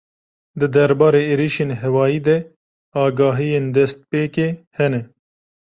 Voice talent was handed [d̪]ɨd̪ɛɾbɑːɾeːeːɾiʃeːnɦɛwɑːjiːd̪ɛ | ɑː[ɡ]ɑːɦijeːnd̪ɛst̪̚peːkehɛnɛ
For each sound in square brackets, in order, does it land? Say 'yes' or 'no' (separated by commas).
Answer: yes, yes